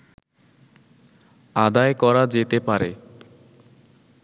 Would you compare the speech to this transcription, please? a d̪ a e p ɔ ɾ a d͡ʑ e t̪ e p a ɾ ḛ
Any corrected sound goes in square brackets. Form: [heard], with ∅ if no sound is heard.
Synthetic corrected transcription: a d̪ a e [k] ɔ ɾ a d͡ʑ e t̪ e p a ɾ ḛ